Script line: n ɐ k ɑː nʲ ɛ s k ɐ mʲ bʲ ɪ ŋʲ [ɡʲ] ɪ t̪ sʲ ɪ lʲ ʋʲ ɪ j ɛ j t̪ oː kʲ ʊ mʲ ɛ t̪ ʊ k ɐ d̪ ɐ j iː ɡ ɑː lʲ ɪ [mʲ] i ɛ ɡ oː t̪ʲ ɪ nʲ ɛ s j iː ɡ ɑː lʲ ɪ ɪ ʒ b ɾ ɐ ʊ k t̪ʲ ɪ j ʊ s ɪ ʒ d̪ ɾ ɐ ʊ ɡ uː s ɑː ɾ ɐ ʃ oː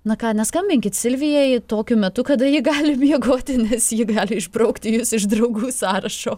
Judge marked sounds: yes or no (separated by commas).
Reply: no, yes